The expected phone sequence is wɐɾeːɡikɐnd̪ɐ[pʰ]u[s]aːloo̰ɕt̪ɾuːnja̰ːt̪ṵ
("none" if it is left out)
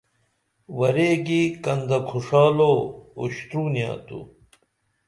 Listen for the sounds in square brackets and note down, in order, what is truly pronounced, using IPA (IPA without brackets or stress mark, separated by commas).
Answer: kʰ, ʂ